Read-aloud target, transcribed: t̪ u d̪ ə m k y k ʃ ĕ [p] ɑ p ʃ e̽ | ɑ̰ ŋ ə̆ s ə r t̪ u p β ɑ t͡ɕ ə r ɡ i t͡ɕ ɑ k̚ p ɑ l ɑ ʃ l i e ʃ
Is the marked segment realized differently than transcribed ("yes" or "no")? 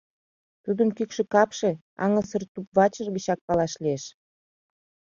yes